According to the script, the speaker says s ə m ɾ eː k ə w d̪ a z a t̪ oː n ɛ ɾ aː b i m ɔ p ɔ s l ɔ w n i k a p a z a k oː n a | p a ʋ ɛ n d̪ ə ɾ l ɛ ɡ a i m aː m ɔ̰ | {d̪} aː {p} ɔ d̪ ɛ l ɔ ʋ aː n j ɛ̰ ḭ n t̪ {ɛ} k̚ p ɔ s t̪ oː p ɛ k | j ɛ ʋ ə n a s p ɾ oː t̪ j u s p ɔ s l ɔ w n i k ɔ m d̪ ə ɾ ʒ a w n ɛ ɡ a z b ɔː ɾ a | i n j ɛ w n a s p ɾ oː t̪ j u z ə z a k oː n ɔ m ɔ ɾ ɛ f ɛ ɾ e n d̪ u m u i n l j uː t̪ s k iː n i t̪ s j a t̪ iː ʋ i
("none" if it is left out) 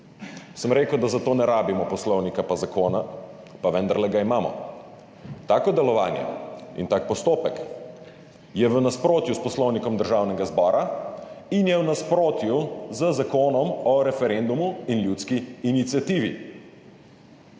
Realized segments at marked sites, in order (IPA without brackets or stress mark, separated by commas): t̪, k, a